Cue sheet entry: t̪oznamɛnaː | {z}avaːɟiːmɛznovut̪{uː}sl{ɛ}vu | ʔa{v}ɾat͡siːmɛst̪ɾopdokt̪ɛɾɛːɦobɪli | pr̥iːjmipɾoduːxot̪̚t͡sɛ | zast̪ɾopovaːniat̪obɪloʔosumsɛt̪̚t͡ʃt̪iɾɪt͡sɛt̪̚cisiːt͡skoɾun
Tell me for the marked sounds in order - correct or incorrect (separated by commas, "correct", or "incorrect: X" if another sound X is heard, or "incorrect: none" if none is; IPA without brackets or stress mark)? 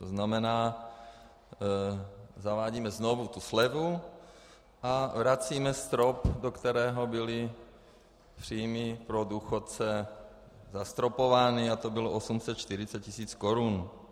correct, incorrect: u, correct, correct